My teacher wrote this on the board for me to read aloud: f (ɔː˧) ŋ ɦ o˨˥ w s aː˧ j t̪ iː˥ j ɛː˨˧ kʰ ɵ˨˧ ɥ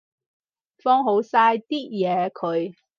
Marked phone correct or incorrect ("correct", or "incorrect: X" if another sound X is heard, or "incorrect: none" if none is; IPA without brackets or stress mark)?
incorrect: ɔː˥